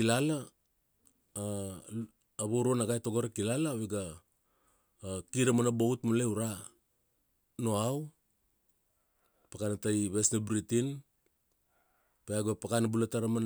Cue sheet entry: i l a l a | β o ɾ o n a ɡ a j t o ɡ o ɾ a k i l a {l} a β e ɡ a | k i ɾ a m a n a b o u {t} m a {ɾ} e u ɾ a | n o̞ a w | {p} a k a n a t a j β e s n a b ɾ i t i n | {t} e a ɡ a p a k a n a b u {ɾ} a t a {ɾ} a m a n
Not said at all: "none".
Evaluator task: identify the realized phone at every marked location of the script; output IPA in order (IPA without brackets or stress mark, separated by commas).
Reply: l, t, l, p, p, l, ɾ